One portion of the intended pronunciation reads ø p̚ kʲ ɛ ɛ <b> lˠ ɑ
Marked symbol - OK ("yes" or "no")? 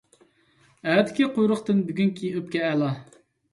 no